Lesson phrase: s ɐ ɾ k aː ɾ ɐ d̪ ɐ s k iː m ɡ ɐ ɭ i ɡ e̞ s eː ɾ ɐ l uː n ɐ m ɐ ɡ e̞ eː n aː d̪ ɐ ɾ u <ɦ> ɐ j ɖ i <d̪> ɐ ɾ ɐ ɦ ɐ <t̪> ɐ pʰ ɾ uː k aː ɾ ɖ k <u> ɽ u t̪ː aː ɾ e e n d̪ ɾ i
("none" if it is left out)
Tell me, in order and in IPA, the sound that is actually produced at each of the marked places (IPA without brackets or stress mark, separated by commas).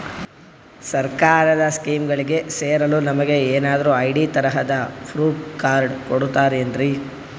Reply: none, t̪, d̪, o